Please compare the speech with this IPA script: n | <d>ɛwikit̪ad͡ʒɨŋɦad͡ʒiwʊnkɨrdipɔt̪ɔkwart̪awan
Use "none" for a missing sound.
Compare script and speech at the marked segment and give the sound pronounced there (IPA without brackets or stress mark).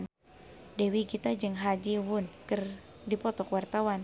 d